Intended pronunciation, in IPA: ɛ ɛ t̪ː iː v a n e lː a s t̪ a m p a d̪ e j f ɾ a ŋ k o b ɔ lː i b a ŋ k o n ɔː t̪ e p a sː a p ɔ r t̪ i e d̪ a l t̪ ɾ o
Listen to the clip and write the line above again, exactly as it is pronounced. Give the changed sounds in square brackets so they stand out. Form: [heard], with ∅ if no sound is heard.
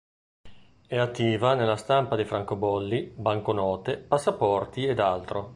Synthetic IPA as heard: ɛ [a] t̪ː iː v a n e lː a s t̪ a m p a d̪ e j f ɾ a ŋ k o b ɔ lː i b a ŋ k o n ɔː t̪ e p a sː a p ɔ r t̪ i e d̪ a l t̪ ɾ o